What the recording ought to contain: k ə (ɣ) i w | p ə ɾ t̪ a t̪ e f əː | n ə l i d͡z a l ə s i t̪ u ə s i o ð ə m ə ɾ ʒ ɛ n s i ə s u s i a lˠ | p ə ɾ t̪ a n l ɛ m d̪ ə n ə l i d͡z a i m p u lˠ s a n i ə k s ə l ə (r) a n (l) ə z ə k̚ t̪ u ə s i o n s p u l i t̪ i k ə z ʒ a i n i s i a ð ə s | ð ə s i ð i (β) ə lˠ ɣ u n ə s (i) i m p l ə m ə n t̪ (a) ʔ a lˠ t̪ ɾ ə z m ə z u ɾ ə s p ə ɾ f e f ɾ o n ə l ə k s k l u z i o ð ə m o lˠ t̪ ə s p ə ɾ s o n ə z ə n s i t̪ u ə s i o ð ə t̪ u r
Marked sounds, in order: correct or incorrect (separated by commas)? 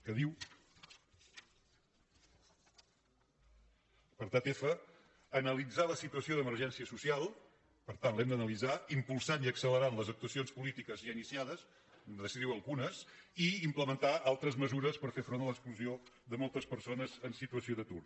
incorrect, incorrect, correct, incorrect, correct, correct